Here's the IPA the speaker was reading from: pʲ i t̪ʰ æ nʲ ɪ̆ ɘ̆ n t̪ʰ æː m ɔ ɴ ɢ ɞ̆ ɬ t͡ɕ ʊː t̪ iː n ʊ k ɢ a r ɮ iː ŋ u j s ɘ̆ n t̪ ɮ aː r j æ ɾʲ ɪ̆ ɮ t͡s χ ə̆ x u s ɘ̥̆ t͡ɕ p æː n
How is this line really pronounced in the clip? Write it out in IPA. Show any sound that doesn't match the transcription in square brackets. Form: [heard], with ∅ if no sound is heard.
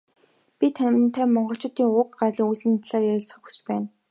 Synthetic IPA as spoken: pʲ i t̪ʰ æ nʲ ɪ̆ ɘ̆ n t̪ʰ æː m ɔ ɴ ɢ ɞ̆ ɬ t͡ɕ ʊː t̪ iː [ŋ] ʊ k ɢ a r ɮ iː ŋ u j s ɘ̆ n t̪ ɮ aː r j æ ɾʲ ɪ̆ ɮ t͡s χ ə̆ x u s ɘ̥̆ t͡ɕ p æː n